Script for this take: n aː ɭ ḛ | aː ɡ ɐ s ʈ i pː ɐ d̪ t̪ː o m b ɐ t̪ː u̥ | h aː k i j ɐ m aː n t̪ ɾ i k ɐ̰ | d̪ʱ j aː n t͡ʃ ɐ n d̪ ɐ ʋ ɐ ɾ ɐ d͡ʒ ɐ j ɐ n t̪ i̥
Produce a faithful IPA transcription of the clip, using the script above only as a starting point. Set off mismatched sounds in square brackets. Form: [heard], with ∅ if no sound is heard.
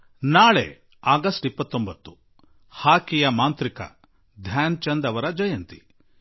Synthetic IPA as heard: n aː ɭ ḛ | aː ɡ ɐ s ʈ i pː ɐ [∅] t̪ː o m b ɐ t̪ː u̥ | h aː k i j ɐ m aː n t̪ ɾ i k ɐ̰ | d̪ʱ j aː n t͡ʃ ɐ n d̪ ɐ ʋ ɐ ɾ ɐ d͡ʒ ɐ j ɐ n t̪ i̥